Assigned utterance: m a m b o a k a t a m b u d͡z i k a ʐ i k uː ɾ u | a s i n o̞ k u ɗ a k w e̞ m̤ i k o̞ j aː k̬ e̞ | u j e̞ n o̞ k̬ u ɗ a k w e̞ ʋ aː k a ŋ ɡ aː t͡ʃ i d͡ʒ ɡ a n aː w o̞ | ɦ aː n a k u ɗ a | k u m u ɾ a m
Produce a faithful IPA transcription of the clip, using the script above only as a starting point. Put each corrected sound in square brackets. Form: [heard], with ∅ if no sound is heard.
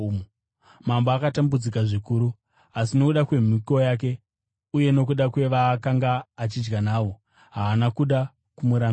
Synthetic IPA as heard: m a m b o a k a t a m b u d͡z i k a ʐ i k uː ɾ u | a s i n o̞ k u ɗ a k w e̞ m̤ i k o̞ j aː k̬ e̞ | u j e̞ n o̞ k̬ u ɗ a k w e̞ ʋ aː k a ŋ ɡ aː t͡ʃ i d͡ʒ ɡ a n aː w o̞ | ɦ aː n a k u ɗ a | k u m u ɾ a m